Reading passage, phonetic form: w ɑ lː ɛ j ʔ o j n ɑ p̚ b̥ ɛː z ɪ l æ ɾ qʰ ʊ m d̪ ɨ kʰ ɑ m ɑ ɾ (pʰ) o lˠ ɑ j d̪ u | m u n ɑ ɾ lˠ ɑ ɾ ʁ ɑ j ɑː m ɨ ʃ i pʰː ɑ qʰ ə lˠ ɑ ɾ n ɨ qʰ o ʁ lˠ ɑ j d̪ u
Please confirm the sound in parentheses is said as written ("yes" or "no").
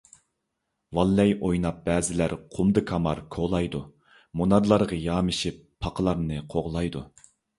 no